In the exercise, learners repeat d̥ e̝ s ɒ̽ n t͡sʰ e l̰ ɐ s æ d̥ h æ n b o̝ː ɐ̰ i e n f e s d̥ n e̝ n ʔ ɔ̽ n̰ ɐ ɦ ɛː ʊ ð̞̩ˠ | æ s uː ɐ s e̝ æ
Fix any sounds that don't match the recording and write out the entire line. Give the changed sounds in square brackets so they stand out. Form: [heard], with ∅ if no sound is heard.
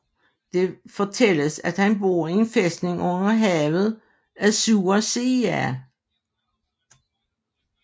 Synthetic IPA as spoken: d̥ e̝ [f] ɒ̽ [∅] t͡sʰ e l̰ [ə] s æ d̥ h æ n b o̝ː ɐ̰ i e n f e s d̥ n e̝ [ŋ] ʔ ɔ̽ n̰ ɐ ɦ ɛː ʊ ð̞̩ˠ | æ s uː ɐ s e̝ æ